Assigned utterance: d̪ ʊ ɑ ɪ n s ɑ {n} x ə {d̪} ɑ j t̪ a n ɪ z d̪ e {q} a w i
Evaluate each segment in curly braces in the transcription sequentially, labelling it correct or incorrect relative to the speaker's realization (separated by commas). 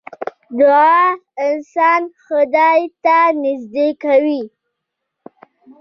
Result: correct, correct, incorrect